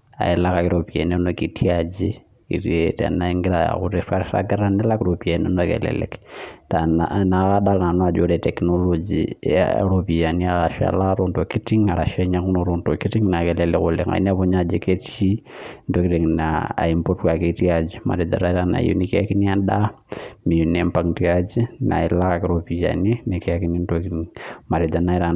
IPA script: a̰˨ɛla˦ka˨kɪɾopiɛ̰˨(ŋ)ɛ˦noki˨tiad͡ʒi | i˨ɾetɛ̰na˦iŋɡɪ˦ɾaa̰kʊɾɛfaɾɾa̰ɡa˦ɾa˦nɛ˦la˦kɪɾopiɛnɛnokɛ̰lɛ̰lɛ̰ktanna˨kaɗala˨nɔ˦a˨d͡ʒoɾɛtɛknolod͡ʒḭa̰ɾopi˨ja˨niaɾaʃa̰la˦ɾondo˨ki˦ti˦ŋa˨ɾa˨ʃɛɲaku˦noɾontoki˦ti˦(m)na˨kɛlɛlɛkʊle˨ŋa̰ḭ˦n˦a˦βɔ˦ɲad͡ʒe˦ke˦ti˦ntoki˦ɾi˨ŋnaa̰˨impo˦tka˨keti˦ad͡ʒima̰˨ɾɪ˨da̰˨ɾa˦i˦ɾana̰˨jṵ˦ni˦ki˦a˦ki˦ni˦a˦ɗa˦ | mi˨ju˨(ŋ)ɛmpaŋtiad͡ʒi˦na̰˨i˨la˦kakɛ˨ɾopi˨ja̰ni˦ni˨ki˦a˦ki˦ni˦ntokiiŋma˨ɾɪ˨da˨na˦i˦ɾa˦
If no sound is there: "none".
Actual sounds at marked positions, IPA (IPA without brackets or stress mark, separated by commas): n, ŋ, n